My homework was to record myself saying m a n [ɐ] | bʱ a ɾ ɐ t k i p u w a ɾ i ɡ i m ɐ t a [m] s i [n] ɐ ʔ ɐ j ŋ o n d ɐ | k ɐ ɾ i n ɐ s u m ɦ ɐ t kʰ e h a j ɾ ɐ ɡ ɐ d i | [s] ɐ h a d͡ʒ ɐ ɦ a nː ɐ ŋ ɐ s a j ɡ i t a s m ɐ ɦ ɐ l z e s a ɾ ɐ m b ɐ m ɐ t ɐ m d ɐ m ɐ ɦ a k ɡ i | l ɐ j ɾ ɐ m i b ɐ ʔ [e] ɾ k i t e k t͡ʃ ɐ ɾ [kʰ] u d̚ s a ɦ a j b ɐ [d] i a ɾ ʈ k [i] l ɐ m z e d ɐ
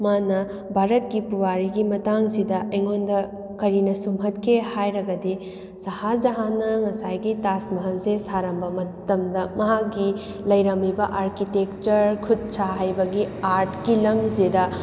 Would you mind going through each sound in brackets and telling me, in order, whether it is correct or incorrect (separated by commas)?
correct, incorrect, incorrect, correct, incorrect, correct, incorrect, correct